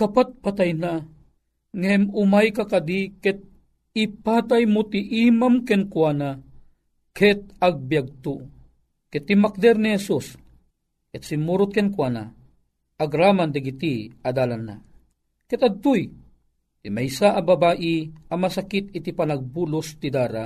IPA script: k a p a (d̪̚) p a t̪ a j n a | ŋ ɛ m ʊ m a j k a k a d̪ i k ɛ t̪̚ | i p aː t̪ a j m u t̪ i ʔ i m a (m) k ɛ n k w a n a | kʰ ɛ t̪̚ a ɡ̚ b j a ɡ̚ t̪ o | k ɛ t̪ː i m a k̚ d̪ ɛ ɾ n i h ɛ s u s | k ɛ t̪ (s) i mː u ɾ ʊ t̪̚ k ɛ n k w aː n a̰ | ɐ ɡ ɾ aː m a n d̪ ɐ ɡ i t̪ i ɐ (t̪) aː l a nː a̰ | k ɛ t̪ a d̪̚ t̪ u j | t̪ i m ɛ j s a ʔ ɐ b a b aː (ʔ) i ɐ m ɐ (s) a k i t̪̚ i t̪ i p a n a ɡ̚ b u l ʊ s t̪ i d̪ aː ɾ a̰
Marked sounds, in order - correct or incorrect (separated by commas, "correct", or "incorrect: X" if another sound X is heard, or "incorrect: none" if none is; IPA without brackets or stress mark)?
incorrect: t̪̚, correct, correct, incorrect: d̪, correct, correct